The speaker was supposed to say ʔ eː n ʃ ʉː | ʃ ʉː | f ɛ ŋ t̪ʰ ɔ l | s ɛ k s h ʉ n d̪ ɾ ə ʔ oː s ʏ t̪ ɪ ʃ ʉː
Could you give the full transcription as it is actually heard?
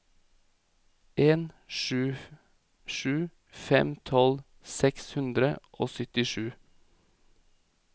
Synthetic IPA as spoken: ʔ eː n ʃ ʉː | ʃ ʉː | f ɛ m t̪ʰ ɔ l | s ɛ k s h ʉ n d̪ ɾ ə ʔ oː s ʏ t̪ ɪ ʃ ʉː